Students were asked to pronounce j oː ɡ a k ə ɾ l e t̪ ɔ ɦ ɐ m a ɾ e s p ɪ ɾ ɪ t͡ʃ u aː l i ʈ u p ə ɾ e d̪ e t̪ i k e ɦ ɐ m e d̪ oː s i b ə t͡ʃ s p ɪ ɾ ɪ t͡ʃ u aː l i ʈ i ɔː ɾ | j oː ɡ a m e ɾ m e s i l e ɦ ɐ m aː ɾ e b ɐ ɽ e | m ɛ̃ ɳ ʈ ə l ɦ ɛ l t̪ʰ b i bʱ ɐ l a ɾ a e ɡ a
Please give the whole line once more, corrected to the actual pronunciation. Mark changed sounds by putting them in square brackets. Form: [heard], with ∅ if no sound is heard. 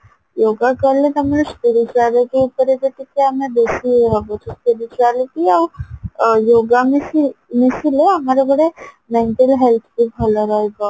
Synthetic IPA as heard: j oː ɡ a k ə ɾ l e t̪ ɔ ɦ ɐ m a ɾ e s p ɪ ɾ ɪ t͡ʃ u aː l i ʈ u p ə ɾ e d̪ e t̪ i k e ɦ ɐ m e d̪ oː s i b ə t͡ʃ s p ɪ ɾ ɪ t͡ʃ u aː l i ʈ i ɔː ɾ | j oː ɡ a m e [∅] m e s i l e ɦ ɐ m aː ɾ e b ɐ ɽ e | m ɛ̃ ɳ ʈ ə l ɦ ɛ l t̪ʰ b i bʱ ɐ l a ɾ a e ɡ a